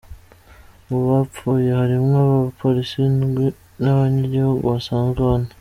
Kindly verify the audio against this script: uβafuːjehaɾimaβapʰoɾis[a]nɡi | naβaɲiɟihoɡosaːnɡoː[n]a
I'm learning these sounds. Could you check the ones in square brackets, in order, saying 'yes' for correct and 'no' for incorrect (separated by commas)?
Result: no, yes